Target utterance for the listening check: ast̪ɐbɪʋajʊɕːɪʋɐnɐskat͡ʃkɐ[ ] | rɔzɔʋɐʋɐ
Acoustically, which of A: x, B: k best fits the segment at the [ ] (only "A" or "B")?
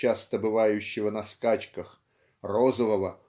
A